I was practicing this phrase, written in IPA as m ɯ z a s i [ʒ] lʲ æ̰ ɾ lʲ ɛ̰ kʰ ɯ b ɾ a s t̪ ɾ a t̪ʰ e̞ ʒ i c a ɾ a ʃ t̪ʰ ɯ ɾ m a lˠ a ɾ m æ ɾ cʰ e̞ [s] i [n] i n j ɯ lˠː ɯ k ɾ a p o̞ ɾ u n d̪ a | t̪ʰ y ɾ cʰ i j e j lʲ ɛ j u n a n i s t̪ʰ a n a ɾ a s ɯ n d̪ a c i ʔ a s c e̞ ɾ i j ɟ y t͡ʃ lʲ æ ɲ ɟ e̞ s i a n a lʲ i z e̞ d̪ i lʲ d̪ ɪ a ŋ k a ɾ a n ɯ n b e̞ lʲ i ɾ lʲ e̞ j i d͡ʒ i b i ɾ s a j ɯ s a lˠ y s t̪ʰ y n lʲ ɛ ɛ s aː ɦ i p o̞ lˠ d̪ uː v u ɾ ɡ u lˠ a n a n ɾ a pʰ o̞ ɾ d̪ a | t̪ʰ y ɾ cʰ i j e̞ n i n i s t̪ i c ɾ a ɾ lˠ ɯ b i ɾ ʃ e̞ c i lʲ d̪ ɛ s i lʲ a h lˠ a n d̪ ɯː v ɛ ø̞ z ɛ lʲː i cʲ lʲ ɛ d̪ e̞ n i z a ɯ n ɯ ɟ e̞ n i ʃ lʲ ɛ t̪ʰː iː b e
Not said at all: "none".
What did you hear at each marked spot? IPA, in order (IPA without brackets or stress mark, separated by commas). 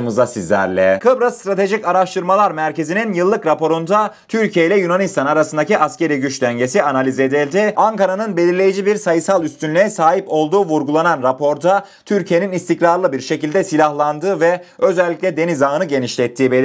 z, z, n